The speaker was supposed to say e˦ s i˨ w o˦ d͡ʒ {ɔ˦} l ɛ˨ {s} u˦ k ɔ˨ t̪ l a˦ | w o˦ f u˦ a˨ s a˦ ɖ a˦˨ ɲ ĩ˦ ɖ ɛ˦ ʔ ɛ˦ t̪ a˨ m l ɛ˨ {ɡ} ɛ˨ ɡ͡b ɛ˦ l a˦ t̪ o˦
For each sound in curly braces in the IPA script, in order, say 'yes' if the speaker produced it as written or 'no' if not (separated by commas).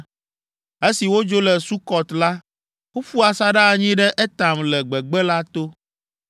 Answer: no, yes, no